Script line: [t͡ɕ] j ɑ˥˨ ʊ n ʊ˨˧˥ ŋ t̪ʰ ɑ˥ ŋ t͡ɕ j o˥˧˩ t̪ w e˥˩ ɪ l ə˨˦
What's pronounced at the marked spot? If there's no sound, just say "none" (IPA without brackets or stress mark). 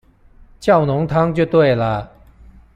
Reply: t͡ɕ